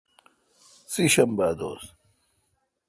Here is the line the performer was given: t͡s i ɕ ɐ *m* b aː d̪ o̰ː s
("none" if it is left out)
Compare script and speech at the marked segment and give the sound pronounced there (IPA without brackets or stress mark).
m